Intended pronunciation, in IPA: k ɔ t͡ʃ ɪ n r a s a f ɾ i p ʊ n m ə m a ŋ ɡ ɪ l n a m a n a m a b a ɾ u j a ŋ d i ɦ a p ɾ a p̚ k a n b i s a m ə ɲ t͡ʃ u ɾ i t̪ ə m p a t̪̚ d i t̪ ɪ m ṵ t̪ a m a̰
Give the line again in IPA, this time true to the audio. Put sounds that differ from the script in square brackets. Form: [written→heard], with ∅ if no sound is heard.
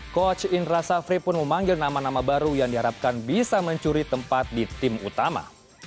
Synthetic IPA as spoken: k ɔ t͡ʃ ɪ n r a s a f ɾ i p ʊ n m ə m a ŋ ɡ ɪ l n a m a n a m a b a ɾ u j a ŋ d i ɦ a [p→∅] ɾ a p̚ k a n b i s a m ə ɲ t͡ʃ u ɾ i t̪ ə m p a t̪̚ d i t̪ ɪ m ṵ t̪ a m a̰